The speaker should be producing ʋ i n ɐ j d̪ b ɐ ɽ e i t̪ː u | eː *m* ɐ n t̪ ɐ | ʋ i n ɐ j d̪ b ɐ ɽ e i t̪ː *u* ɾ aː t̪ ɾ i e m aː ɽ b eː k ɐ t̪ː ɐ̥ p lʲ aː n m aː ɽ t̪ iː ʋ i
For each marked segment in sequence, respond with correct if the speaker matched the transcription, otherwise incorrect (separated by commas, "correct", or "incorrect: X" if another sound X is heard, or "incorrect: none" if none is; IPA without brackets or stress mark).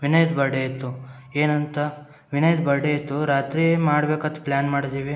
incorrect: n, correct